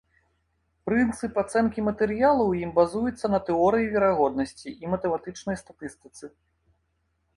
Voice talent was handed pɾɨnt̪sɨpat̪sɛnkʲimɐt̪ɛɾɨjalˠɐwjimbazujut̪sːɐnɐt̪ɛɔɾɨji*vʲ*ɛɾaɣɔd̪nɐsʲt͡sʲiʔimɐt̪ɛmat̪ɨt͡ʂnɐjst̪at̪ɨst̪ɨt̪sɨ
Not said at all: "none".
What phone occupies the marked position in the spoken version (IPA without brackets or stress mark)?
vʲ